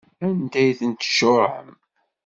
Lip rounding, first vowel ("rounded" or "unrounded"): unrounded